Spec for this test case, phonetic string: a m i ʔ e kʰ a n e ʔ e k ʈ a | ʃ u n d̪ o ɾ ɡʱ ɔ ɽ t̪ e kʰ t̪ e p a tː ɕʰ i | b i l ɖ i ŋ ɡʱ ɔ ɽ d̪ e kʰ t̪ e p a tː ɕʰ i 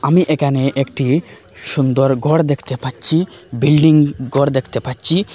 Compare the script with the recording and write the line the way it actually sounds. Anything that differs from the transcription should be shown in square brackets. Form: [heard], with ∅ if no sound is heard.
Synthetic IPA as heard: a m i ʔ e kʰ a n e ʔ e k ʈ [i] | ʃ u n d̪ o ɾ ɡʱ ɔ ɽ [d̪] e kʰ t̪ e p a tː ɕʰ i | b i l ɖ i ŋ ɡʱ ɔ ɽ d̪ e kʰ t̪ e p a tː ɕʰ i